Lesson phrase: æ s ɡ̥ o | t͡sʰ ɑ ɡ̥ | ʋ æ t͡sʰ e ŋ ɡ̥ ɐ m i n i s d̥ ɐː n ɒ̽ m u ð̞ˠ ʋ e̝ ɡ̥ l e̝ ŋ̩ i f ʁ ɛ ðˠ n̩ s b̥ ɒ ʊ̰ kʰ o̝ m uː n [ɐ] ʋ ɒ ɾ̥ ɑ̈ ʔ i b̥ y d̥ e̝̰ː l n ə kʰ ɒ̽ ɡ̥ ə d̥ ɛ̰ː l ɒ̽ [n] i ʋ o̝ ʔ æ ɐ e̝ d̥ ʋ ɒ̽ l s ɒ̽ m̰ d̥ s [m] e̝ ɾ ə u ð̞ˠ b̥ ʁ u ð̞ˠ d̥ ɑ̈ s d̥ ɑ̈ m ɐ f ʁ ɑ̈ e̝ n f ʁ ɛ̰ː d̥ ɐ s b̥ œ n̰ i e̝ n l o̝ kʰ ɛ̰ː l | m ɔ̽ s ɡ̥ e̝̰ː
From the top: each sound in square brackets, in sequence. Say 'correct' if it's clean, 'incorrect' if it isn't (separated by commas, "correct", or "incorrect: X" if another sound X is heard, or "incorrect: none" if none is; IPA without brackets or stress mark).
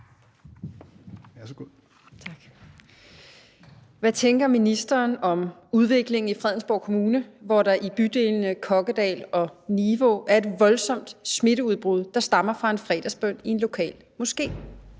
incorrect: ə, correct, correct